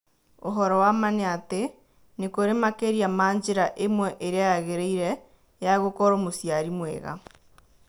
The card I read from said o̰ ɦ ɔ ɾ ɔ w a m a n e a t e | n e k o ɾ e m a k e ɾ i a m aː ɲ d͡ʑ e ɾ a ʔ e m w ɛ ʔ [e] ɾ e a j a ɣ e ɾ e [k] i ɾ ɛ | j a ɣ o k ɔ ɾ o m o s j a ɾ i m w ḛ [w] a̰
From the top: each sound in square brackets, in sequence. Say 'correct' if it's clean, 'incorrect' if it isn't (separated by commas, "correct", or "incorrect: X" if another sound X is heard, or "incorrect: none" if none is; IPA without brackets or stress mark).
correct, incorrect: none, incorrect: ɣ